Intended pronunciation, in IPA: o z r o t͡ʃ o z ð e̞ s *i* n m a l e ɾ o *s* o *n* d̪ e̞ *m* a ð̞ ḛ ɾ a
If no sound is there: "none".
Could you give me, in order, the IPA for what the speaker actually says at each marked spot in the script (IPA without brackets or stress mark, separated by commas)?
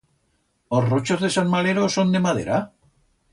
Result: a, s, n, m